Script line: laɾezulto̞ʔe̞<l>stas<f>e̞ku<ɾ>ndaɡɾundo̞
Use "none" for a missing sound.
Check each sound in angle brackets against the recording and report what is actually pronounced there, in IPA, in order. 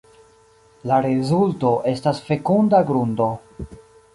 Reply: none, f, none

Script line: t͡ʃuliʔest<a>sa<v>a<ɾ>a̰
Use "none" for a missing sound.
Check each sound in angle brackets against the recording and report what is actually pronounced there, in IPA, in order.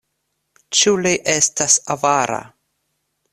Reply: a, v, ɾ

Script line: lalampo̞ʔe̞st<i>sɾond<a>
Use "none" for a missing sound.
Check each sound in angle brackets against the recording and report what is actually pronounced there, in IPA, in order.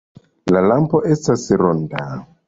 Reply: a, a

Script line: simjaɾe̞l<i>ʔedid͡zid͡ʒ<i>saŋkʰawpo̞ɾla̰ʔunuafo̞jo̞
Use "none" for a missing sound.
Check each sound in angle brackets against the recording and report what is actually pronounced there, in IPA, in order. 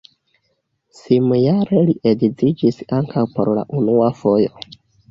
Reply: i, i

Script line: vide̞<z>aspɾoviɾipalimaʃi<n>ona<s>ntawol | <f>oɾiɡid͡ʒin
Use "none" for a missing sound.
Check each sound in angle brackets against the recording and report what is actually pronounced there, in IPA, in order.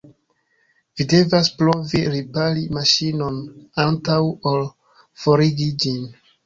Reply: v, n, none, f

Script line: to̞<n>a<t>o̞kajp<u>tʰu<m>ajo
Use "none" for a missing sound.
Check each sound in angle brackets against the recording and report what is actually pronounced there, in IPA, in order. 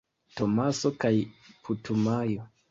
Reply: m, s, u, m

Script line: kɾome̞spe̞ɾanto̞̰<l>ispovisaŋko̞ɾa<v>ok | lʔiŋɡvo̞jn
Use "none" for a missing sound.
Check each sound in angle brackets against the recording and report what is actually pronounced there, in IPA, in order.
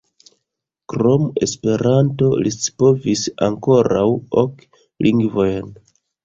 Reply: l, w

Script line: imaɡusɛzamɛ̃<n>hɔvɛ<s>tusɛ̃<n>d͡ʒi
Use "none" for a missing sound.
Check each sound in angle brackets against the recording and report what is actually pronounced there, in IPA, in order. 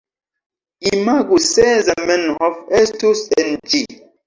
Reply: n, s, n

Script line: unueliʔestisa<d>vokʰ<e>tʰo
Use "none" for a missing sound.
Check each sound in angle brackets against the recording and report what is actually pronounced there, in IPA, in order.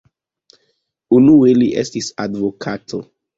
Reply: d, a

